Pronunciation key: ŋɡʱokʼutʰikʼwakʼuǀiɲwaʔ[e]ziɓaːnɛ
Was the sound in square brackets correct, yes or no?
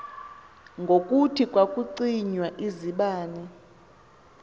no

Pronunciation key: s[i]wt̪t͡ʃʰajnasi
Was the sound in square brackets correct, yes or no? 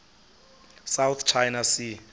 no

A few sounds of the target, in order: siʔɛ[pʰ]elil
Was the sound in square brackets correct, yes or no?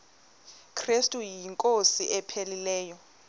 yes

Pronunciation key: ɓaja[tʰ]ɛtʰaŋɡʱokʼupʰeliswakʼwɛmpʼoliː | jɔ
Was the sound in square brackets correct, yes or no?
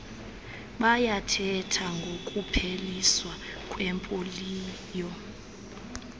yes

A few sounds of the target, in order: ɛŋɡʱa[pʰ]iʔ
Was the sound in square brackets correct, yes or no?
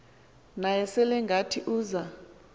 no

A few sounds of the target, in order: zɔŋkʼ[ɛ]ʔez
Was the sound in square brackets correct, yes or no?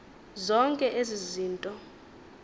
yes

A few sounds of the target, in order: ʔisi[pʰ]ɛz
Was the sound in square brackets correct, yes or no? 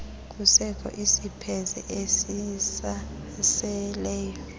yes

